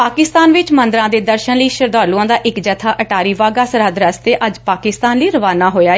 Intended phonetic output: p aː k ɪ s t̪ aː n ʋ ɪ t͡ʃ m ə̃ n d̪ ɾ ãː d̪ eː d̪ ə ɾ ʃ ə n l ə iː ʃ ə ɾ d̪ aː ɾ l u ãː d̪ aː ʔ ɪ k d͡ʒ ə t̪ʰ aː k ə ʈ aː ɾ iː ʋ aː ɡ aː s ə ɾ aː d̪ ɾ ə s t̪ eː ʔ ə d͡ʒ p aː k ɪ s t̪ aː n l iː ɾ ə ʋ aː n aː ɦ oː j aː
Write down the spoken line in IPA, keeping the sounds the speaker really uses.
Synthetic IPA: p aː k ɪ s t̪ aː n ʋ ɪ t͡ʃ m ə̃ n d̪ ɾ ãː d̪ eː d̪ ə ɾ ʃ ə n l ə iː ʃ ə ɾ d̪ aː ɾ l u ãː d̪ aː ʔ ɪ k d͡ʒ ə t̪ʰ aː ʔ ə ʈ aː ɾ iː ʋ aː ɡ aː s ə ɾ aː d̪ ɾ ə s t̪ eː ʔ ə d͡ʒ p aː k ɪ s t̪ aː n l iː ɾ ə ʋ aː n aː ɦ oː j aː